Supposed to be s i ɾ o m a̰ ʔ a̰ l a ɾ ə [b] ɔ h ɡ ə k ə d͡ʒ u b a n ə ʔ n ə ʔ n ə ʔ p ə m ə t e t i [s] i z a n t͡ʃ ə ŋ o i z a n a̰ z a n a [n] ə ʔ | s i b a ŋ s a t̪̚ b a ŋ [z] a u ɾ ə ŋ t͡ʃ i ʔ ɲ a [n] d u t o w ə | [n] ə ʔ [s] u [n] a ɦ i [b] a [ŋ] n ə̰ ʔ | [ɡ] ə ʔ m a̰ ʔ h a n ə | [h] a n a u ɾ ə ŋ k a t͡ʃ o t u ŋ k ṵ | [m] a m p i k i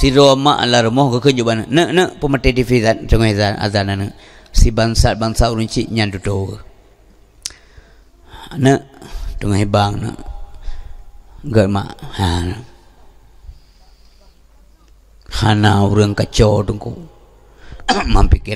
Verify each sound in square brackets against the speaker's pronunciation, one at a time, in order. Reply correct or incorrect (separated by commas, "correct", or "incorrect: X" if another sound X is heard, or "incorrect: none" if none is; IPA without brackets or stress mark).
incorrect: m, incorrect: f, correct, incorrect: s, correct, correct, incorrect: t, incorrect: ŋ, correct, correct, correct, correct, correct